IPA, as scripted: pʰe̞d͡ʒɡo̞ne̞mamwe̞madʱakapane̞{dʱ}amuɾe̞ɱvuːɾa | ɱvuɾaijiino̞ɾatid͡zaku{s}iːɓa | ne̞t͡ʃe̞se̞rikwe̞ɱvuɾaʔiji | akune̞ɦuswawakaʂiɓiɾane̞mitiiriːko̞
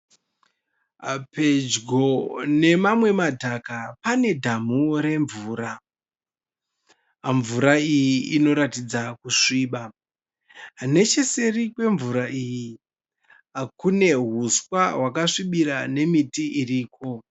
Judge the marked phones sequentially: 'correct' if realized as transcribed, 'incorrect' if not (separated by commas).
correct, incorrect